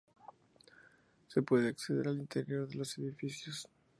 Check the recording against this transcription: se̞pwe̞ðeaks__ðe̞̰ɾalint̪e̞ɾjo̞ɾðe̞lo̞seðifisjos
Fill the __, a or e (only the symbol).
e